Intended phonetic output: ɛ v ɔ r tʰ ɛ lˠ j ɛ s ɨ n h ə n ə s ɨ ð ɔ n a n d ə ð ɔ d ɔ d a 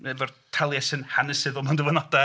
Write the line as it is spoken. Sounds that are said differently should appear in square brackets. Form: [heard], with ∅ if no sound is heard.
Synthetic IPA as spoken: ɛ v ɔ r tʰ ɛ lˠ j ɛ s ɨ n h [a] n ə s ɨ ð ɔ [m] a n d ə [v] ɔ [n] ɔ d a